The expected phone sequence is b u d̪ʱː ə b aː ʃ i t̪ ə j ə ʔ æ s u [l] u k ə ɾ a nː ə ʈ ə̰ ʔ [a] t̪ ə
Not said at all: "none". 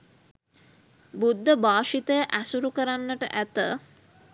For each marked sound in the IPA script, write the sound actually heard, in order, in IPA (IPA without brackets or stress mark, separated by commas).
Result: ɾ, æ